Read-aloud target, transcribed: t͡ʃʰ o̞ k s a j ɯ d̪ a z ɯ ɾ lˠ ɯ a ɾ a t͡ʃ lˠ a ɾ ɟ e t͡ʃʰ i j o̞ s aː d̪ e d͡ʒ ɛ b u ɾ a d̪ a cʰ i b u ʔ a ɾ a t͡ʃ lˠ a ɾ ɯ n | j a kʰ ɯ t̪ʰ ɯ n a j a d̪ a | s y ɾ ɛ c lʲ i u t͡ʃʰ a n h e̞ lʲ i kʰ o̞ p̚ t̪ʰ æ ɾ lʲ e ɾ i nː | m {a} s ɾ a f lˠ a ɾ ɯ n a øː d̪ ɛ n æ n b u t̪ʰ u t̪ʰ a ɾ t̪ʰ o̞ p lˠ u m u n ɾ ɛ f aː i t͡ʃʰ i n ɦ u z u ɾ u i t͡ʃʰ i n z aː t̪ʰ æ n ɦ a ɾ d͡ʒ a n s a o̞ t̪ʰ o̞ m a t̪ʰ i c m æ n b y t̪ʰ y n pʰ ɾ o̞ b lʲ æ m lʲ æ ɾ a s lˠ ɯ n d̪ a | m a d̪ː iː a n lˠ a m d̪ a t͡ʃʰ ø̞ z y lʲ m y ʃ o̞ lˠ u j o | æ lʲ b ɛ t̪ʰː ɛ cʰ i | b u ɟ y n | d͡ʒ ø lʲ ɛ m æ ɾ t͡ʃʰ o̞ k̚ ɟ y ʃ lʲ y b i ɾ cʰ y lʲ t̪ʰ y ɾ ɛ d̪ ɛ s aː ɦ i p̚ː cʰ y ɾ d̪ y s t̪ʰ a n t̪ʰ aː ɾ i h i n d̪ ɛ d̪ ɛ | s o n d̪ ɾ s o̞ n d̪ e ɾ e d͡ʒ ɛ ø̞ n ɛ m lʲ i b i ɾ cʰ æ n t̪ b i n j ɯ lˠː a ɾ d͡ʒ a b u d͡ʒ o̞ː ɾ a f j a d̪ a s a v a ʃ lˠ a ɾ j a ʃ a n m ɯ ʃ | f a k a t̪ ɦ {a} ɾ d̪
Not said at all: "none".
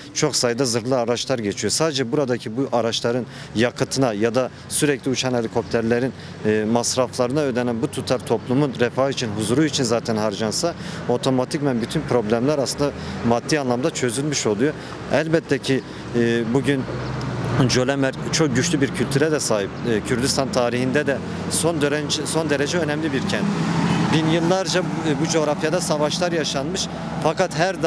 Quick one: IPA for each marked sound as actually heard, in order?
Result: a, æ

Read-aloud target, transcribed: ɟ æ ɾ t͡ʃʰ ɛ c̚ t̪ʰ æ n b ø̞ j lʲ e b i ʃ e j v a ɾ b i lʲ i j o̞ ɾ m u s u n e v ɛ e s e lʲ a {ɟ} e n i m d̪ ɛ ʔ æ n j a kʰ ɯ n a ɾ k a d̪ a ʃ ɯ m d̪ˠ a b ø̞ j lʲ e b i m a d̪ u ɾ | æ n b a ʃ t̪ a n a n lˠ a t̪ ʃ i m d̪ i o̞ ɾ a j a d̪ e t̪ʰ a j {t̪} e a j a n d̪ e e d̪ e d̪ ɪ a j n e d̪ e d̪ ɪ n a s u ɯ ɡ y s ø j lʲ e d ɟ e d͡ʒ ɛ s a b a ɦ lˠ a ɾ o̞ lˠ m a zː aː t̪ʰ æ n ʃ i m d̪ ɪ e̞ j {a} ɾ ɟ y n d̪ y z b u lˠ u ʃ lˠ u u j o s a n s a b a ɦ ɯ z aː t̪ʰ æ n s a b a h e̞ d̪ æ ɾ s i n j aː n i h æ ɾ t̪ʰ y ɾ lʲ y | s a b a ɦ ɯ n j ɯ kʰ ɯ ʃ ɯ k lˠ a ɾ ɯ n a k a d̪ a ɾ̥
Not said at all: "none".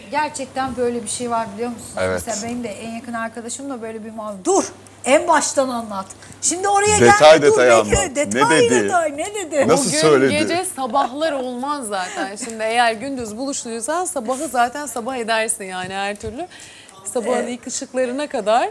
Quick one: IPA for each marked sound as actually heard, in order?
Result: b, d̪, æ

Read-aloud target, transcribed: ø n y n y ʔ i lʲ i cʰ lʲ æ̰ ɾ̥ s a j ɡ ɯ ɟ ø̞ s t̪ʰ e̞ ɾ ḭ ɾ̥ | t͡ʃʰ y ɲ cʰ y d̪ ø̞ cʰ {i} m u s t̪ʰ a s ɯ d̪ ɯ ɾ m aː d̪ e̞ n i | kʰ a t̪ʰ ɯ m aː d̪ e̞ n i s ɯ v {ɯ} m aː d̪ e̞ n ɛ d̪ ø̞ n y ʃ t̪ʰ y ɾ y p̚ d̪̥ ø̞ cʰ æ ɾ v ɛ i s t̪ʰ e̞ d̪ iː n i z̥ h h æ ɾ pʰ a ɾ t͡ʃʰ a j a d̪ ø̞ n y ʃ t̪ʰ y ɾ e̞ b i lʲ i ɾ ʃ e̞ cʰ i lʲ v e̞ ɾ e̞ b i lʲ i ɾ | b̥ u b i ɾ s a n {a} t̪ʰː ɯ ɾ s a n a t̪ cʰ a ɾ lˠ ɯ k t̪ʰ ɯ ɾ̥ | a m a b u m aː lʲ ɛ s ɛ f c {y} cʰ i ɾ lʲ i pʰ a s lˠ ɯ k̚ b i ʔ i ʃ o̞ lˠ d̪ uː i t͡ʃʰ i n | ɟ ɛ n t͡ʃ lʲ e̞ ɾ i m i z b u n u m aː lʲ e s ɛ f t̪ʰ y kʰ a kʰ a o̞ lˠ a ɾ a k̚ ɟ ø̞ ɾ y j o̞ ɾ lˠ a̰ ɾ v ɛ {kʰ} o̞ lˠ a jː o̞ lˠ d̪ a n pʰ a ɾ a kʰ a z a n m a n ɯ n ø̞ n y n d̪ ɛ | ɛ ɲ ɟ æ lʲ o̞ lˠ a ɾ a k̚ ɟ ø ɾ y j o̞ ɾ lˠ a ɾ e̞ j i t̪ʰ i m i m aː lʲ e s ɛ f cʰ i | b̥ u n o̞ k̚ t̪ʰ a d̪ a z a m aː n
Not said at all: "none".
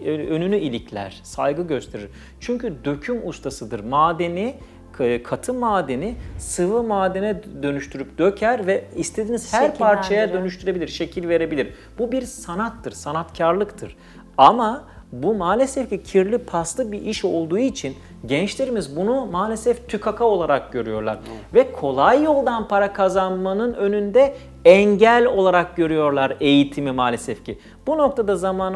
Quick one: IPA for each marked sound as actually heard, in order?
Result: y, ɯ, a, i, kʰ

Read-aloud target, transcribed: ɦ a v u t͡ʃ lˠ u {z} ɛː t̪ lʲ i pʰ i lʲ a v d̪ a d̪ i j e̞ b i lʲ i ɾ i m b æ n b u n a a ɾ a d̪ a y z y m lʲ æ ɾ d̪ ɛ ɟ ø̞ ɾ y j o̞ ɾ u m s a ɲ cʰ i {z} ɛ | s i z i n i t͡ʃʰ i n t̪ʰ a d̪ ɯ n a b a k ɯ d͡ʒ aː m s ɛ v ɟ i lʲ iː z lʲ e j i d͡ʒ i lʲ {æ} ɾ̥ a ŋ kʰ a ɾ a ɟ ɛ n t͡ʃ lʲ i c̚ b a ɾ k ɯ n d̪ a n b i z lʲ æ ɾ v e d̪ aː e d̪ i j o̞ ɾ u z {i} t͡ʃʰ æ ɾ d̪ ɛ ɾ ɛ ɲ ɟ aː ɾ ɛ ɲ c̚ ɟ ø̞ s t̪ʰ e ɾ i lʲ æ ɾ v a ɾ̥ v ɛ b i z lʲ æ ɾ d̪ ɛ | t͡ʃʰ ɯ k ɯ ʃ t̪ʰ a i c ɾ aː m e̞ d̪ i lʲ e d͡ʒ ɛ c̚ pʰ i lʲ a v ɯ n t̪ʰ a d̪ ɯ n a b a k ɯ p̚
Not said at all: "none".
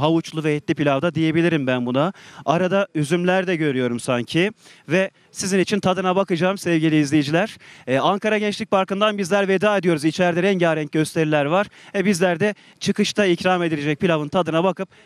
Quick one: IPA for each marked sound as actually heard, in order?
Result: v, v, æ, i

